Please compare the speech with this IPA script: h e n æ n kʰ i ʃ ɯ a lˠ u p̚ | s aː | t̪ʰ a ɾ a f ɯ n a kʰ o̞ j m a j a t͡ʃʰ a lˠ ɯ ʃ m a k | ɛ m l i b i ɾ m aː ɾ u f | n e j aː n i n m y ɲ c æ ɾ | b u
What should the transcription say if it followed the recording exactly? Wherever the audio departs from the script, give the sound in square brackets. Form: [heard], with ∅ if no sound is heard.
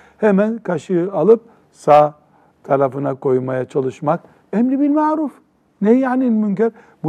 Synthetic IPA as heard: h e [m] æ n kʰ [a] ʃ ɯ a lˠ [ɯ] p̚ | s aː | t̪ʰ a ɾ a f ɯ n a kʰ o̞ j m a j a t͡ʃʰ a lˠ ɯ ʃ m a k | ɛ m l i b i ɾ m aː ɾ u f | n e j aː n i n m y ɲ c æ ɾ | b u